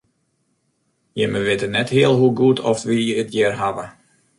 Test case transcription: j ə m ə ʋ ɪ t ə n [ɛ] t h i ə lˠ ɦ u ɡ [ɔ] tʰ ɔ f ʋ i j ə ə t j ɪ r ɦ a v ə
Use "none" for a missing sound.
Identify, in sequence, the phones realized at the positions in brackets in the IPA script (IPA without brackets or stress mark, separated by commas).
ɛ, u